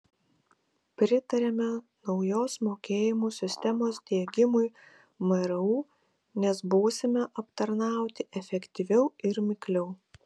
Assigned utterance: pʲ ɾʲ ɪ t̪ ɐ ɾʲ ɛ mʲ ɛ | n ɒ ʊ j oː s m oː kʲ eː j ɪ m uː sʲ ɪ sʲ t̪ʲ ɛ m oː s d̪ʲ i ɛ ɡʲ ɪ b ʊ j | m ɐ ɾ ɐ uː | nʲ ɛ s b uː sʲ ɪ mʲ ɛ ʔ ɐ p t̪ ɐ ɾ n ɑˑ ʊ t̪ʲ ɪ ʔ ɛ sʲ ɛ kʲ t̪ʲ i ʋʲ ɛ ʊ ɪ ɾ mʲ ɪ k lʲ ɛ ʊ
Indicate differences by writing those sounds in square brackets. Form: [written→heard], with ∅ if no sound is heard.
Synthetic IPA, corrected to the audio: pʲ ɾʲ ɪ t̪ ɐ ɾʲ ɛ mʲ ɛ | n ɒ ʊ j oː s m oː kʲ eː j ɪ m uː sʲ ɪ sʲ t̪ʲ ɛ m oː s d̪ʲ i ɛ ɡʲ ɪ [b→m] ʊ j | m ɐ ɾ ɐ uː | nʲ ɛ s b uː sʲ ɪ mʲ ɛ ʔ ɐ p t̪ ɐ ɾ n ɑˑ ʊ t̪ʲ ɪ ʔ ɛ [sʲ→fʲ] ɛ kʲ t̪ʲ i ʋʲ ɛ ʊ ɪ ɾ mʲ ɪ k lʲ ɛ ʊ